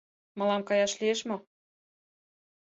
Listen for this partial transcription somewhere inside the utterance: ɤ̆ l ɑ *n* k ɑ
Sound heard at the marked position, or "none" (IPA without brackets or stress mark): m